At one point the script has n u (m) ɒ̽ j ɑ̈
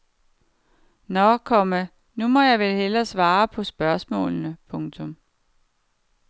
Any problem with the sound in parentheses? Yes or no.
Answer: no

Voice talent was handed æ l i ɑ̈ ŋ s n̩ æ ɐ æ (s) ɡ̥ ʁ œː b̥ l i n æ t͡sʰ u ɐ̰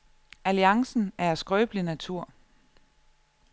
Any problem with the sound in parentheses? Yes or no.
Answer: no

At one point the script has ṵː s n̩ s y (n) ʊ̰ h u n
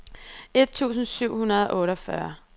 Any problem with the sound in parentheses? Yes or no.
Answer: yes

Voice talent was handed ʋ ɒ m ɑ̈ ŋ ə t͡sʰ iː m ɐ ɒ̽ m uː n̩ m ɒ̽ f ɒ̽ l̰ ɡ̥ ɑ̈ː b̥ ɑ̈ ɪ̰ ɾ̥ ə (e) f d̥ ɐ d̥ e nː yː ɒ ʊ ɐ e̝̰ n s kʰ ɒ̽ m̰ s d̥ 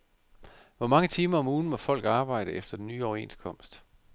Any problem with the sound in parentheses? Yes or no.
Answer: no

